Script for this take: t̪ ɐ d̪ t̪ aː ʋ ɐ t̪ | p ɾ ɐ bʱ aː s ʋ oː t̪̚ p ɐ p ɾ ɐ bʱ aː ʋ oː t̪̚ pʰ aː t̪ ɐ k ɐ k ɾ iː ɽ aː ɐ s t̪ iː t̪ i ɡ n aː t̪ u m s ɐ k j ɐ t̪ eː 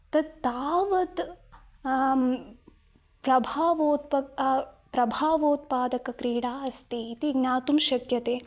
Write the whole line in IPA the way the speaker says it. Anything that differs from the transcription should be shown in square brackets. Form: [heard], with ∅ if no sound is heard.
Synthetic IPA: t̪ ɐ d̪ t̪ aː ʋ ɐ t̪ | p ɾ ɐ bʱ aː [∅] ʋ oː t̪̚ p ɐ p ɾ ɐ bʱ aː ʋ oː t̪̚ [p] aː [d̪] ɐ k ɐ k ɾ iː ɽ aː ɐ s t̪ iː t̪ i ɡ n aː t̪ u m [ʃ] ɐ k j ɐ t̪ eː